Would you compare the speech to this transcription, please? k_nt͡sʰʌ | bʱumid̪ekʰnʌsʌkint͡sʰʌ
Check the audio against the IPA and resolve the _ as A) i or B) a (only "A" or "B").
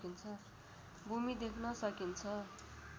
A